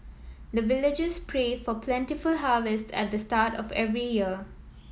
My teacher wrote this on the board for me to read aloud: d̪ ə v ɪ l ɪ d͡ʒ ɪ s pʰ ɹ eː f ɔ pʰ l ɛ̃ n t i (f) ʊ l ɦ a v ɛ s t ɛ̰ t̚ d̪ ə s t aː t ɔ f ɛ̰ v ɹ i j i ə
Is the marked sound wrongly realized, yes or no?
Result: no